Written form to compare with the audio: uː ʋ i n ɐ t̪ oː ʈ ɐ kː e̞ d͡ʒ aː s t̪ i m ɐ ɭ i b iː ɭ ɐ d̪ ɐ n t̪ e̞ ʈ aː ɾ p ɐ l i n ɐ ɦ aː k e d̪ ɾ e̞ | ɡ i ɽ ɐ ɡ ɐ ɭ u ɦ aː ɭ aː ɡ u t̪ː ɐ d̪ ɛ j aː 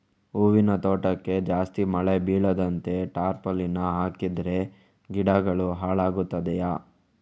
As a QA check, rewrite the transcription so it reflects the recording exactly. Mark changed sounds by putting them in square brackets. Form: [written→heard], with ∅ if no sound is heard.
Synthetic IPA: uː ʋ i n ɐ t̪ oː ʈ ɐ kː e̞ d͡ʒ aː s t̪ i m ɐ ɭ [i→e] b iː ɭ ɐ d̪ ɐ n t̪ e̞ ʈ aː ɾ p ɐ l i n ɐ ɦ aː k [e→i] d̪ ɾ e̞ | ɡ i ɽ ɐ ɡ ɐ ɭ u ɦ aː ɭ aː ɡ u t̪ː ɐ d̪ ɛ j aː